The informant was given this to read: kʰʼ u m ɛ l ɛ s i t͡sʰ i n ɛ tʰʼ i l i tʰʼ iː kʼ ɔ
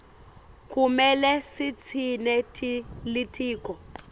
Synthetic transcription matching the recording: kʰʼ u m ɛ l ɛ s i t͡sʰ i n ɛ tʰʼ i l i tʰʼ iː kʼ ɔ